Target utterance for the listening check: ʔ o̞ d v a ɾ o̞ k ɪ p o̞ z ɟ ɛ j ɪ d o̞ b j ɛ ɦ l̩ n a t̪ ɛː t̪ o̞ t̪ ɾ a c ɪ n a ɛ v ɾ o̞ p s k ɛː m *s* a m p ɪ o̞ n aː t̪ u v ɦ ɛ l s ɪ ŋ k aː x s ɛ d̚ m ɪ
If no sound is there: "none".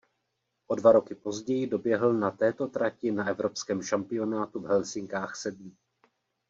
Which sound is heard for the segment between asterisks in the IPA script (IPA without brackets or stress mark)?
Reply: ʃ